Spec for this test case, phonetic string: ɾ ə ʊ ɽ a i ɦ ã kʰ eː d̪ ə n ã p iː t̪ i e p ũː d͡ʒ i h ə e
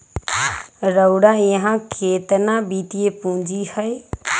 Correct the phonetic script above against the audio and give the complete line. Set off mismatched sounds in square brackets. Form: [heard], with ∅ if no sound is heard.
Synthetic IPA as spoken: ɾ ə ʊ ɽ a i ɦ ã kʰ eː [t̪] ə n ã [b] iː t̪ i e p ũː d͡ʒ i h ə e